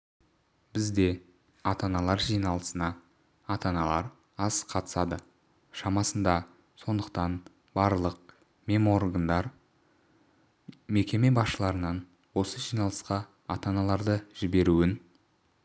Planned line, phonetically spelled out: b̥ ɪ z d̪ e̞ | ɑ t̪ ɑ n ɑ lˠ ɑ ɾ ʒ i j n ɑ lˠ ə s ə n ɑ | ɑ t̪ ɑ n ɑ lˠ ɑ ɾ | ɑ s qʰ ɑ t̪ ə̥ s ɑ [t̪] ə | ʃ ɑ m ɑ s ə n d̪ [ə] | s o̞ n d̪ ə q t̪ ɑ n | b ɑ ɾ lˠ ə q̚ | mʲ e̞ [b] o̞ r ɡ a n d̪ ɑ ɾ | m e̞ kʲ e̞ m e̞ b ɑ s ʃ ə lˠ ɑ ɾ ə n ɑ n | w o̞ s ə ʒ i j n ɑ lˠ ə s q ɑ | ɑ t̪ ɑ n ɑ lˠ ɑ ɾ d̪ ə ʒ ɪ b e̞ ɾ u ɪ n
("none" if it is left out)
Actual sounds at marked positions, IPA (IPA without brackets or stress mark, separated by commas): d̪, ɑ, m